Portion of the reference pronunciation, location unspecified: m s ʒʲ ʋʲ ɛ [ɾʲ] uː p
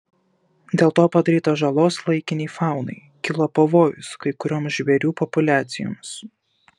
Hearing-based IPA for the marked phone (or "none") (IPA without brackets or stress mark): ɾʲ